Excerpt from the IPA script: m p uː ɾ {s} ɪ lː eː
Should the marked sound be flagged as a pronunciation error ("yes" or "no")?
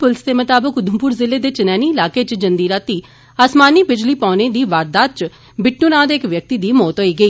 yes